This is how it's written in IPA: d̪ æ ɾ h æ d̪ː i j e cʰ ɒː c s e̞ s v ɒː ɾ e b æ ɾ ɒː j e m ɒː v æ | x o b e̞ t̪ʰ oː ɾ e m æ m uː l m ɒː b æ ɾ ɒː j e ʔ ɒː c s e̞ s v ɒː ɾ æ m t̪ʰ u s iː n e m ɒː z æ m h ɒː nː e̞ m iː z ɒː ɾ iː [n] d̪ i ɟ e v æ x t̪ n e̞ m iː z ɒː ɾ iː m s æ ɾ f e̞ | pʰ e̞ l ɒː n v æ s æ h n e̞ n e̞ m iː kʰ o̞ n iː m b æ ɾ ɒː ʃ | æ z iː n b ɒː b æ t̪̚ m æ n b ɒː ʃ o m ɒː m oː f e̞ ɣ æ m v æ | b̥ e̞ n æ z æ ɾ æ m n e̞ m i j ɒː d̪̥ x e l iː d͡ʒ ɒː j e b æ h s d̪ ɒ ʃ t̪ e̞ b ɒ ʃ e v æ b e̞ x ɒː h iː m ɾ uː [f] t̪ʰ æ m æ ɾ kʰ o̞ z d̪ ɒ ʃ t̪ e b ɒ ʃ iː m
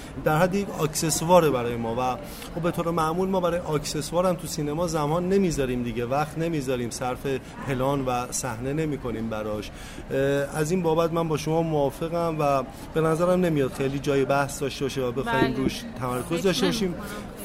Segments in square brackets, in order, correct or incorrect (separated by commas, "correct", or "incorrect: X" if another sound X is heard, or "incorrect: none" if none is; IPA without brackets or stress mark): incorrect: m, incorrect: ʃ